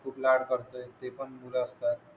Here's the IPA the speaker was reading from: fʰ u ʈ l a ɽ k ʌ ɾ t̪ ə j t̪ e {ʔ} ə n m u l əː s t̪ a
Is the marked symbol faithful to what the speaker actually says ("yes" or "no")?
no